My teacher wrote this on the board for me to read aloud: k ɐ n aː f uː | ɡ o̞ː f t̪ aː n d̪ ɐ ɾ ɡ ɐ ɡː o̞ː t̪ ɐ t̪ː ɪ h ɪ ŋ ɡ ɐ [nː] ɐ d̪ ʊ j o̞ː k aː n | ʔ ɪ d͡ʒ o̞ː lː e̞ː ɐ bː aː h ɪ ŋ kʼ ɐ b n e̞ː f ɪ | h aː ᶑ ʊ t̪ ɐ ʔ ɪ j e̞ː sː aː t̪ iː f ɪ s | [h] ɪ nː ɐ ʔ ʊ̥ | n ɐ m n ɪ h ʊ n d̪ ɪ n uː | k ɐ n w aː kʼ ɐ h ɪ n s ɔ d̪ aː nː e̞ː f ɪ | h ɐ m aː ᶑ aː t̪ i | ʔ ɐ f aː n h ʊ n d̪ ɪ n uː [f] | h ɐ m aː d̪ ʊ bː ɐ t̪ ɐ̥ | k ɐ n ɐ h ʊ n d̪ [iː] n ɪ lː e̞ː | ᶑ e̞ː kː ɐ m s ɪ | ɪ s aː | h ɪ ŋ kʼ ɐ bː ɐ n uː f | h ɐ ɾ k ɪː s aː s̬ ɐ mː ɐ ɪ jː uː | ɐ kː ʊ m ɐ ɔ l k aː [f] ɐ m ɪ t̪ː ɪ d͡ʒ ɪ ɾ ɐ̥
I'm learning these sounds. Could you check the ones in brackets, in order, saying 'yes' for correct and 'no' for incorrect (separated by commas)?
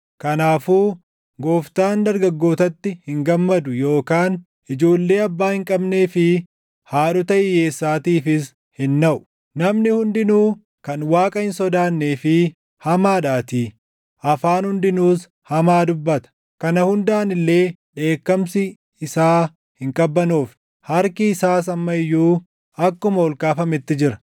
no, yes, no, no, yes